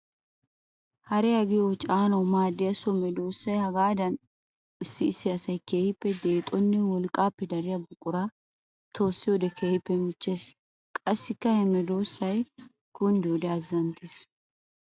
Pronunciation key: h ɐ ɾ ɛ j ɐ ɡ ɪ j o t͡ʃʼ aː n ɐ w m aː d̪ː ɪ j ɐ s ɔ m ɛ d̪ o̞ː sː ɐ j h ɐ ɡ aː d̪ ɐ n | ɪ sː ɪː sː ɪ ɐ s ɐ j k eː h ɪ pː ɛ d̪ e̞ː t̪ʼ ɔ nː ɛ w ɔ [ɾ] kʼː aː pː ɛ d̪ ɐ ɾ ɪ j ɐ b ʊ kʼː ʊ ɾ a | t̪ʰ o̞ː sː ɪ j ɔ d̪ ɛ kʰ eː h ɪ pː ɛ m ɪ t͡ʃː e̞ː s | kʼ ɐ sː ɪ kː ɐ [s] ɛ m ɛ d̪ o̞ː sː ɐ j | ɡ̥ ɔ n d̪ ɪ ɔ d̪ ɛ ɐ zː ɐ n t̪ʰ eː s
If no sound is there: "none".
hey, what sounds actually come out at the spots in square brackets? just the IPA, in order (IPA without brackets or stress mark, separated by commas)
l, h